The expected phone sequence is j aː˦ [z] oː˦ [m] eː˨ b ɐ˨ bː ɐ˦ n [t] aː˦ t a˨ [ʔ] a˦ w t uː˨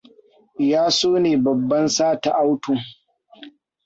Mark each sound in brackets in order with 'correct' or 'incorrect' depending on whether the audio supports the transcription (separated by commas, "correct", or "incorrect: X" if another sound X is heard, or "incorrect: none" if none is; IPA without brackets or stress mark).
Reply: incorrect: s, incorrect: n, incorrect: s, correct